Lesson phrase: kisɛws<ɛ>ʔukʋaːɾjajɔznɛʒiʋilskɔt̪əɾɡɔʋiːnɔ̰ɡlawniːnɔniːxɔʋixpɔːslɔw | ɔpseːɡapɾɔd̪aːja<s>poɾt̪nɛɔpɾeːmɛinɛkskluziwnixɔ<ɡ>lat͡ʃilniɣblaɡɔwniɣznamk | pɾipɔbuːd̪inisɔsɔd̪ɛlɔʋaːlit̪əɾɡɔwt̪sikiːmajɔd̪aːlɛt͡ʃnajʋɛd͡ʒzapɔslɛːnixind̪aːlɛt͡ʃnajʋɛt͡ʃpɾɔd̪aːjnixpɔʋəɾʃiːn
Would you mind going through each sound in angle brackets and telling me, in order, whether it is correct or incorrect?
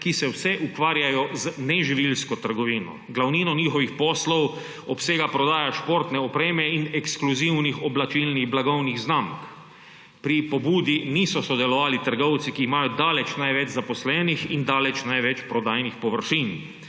correct, incorrect: ʃ, incorrect: b

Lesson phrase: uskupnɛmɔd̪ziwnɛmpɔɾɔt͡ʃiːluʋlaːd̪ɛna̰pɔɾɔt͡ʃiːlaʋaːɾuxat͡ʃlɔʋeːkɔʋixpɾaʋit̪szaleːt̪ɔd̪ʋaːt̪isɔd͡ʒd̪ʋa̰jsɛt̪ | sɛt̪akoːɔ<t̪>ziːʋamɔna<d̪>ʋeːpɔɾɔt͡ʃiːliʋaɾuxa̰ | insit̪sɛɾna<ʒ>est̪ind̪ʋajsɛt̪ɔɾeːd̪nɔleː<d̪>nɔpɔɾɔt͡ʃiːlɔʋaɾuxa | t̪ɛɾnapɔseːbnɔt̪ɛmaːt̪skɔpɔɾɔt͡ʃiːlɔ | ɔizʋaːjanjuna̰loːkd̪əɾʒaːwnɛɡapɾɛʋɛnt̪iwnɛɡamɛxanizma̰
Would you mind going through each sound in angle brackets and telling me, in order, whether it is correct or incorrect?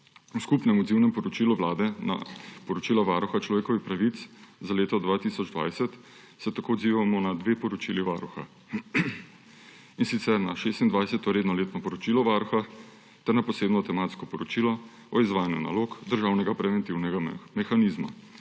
incorrect: d̪, correct, incorrect: ʃ, incorrect: t̪

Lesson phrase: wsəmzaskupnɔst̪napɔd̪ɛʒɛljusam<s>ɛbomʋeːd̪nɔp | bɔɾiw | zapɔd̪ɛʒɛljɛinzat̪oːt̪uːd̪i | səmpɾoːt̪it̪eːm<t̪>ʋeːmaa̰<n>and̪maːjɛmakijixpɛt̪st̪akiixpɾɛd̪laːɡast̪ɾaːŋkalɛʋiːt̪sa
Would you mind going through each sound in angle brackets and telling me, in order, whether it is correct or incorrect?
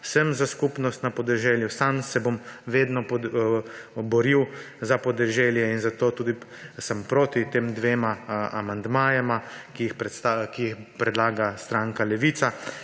correct, incorrect: d̪, incorrect: m

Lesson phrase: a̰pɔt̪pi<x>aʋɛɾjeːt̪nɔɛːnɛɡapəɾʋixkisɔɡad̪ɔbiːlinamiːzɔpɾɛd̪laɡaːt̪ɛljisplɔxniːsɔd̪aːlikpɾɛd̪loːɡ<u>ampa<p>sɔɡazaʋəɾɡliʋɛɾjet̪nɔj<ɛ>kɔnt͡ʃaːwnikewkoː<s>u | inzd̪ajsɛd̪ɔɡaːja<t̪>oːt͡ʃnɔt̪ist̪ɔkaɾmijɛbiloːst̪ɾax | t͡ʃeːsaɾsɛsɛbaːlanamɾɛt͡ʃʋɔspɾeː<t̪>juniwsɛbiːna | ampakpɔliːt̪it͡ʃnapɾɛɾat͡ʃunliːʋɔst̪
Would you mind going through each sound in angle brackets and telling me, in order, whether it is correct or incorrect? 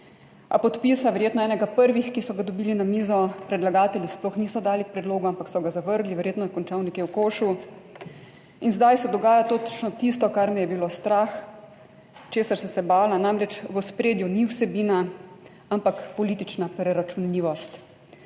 incorrect: s, correct, incorrect: k, correct, incorrect: ʃ, correct, incorrect: d̪

